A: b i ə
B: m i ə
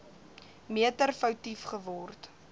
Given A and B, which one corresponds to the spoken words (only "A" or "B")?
B